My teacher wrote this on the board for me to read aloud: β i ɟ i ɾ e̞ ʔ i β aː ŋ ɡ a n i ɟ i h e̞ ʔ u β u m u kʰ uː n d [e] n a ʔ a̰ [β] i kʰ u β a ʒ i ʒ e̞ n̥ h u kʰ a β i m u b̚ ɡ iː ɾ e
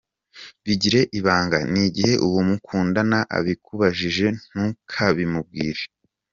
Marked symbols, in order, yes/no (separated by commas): no, yes